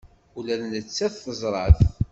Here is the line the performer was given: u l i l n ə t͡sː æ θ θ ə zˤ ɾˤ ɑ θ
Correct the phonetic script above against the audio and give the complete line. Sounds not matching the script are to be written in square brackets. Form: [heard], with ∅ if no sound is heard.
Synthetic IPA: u l [æ] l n ə t͡sː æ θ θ ə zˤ ɾˤ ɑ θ